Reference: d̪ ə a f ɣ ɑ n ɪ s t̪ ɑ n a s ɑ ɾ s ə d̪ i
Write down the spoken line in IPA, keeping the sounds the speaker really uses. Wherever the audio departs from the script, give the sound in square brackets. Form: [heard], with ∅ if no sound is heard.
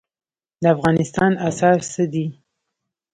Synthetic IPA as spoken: d̪ ə a f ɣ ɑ n ɪ s t̪ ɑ n a s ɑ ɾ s ə d̪ i